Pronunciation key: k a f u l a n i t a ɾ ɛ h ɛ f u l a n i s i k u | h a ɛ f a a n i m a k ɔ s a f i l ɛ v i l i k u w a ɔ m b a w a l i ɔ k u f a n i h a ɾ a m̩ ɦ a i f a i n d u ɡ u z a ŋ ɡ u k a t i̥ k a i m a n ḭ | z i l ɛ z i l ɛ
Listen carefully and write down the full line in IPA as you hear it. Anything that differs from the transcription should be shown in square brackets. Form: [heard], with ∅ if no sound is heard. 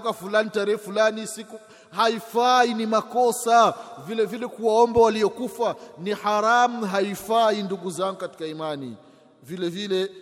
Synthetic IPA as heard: k a f u l a n i t a ɾ ɛ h ɛ f u l a n i s i k u | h a [i] f a [i] n i m a k ɔ s a [v] i l ɛ v i l [ɛ] k u w a ɔ m b a w a l i ɔ k u f a n i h a ɾ a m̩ ɦ a i f a i n d u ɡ u z a ŋ ɡ u k a t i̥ k a i m a n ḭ | [v] i l ɛ [v] i l ɛ